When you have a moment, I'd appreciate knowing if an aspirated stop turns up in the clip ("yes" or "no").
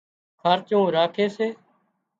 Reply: yes